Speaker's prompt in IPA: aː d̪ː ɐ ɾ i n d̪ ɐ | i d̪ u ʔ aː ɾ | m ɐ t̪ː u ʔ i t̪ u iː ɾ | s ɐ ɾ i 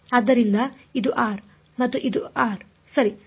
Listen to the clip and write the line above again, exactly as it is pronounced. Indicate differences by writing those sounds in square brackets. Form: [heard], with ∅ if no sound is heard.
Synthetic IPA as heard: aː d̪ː ɐ ɾ i n d̪ ɐ | i d̪ u ʔ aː ɾ | m ɐ t̪ː u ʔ i [d̪] u [aː] ɾ | s ɐ ɾ i